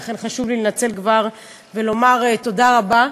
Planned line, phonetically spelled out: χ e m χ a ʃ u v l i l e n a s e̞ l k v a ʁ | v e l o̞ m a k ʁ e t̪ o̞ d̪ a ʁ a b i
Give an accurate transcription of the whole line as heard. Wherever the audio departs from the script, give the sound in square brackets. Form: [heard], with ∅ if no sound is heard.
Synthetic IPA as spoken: χ e [n] χ a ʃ u v l i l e n a [t͡s] e̞ l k v a ʁ | v e l o̞ m a [∅] ʁ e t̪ o̞ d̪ a ʁ a b [a]